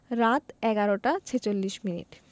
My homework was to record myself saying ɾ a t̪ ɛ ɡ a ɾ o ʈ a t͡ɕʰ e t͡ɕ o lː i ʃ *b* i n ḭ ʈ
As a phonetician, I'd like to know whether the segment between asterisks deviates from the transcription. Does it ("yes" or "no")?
yes